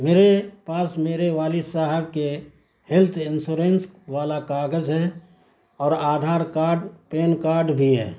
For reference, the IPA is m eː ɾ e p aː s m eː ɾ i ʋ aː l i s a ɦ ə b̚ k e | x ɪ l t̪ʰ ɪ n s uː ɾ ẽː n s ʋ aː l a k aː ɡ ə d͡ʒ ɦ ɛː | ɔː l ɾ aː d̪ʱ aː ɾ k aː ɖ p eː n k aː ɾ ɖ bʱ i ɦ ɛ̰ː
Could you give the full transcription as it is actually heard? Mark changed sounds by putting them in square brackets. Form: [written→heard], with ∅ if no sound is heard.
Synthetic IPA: m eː ɾ e p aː s m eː ɾ [i→e] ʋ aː l i s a ɦ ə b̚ k e | [x→h] ɪ l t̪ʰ ɪ n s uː ɾ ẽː n s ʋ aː l a k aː ɡ ə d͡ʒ ɦ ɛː | ɔː [l→∅] ɾ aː d̪ʱ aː ɾ k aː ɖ p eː n k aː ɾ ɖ bʱ i ɦ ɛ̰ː